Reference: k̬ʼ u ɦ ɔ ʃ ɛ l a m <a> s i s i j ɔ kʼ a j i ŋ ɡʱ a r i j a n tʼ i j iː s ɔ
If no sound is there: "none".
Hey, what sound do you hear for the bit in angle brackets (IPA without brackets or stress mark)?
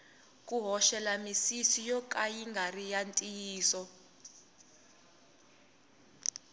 i